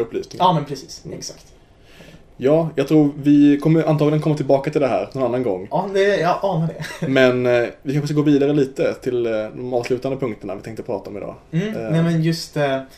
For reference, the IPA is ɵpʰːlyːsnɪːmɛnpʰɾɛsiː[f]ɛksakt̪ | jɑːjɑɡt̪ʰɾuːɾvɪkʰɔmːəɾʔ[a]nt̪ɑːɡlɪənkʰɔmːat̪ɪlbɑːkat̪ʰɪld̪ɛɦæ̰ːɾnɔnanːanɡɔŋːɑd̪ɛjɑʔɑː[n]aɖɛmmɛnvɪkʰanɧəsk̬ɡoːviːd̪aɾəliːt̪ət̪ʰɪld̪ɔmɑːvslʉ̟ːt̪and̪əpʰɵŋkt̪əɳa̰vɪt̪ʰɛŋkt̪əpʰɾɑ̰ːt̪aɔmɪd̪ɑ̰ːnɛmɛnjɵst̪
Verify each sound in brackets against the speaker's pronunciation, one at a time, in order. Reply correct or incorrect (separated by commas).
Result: incorrect, correct, correct